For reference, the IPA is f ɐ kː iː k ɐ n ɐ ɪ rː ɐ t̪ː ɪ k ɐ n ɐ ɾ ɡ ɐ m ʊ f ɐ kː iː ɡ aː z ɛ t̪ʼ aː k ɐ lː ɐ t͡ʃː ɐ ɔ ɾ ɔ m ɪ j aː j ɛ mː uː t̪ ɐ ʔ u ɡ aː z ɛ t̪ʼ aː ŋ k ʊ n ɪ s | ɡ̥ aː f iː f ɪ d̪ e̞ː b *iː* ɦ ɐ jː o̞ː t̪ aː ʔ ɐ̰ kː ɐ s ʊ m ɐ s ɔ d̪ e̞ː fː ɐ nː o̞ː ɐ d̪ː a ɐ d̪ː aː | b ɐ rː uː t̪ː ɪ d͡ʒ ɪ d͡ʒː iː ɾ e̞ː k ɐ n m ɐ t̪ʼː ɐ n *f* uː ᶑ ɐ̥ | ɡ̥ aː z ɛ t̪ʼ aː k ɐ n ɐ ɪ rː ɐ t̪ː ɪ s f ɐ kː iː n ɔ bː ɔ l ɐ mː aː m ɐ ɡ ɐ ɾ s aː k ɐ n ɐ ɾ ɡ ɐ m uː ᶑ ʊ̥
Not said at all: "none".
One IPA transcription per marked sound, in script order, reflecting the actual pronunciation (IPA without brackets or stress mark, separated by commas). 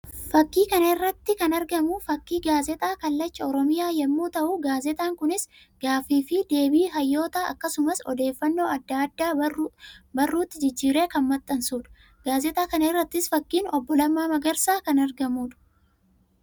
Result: iː, s